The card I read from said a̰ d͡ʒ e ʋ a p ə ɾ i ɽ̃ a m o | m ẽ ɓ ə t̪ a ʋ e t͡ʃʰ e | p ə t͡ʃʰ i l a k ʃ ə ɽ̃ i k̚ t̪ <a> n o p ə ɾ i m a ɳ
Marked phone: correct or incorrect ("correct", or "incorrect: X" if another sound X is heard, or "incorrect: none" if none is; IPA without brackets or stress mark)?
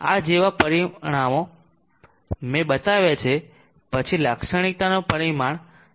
correct